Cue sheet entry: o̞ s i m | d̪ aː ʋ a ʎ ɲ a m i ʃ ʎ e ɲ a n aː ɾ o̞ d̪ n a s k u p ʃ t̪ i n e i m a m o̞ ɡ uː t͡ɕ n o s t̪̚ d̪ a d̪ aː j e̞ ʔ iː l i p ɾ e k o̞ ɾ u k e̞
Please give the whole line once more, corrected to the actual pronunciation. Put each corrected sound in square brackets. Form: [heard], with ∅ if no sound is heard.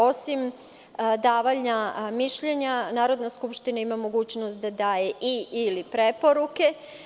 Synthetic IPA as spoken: o̞ s i m | d̪ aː ʋ a ʎ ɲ a m i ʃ ʎ e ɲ a n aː ɾ o̞ d̪ n a s k u p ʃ t̪ i n [a] i m a m o̞ ɡ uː t͡ɕ n o s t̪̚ d̪ a d̪ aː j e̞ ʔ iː l i p ɾ e [p] o̞ ɾ u k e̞